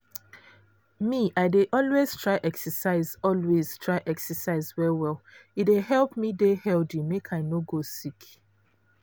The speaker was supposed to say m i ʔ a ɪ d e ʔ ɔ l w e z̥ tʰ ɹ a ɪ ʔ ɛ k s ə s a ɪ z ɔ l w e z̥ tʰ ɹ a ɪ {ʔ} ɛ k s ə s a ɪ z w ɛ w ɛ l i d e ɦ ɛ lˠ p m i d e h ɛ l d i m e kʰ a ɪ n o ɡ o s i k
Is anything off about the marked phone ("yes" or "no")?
no